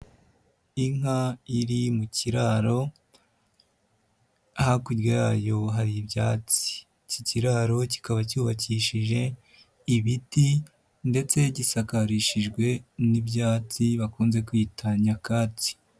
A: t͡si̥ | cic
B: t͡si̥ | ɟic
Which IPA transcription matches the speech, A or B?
A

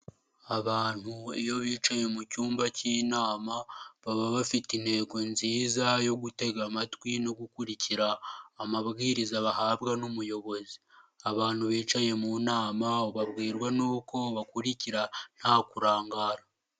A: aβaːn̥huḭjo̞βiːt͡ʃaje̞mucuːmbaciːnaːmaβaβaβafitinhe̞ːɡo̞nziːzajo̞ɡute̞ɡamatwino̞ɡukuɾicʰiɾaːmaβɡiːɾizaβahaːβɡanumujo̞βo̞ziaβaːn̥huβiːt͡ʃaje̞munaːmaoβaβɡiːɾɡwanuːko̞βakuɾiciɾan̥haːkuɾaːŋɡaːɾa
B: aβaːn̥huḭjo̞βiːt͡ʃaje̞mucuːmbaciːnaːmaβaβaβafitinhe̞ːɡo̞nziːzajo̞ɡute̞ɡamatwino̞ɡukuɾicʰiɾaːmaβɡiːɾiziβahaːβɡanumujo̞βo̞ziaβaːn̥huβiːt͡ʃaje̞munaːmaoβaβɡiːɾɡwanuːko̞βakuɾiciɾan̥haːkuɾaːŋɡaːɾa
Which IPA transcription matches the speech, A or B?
A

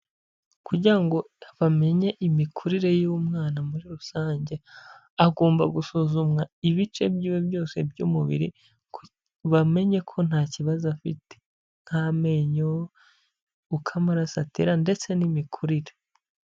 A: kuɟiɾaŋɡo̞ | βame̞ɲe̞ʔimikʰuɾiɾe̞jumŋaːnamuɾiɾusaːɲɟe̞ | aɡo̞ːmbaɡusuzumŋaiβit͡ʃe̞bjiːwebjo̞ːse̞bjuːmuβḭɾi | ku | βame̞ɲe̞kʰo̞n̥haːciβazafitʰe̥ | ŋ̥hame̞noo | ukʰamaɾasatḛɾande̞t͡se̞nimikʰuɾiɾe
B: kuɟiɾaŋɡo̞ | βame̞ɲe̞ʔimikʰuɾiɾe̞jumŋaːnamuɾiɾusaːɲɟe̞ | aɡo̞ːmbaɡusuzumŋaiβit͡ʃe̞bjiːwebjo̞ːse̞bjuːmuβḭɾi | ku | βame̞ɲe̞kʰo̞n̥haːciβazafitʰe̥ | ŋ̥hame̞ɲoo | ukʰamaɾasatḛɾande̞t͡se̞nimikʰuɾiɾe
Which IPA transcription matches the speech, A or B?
B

